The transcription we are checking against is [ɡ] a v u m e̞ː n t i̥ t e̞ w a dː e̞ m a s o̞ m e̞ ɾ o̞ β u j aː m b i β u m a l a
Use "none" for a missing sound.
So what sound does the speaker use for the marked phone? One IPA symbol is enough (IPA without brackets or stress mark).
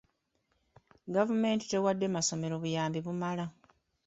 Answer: ɡ